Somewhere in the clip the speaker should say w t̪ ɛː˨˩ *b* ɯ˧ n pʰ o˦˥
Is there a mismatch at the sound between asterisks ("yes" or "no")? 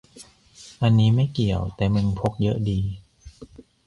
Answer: yes